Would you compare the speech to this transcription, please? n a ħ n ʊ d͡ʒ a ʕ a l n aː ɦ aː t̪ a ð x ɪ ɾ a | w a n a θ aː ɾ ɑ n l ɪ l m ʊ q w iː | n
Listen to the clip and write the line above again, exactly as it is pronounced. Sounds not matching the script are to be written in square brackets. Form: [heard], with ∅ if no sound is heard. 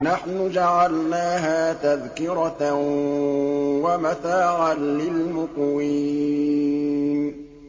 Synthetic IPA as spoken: n a ħ n ʊ d͡ʒ a ʕ a l n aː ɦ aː t̪ a ð [k] ɪ ɾ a | w a [m] a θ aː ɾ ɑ n l ɪ l m ʊ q w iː | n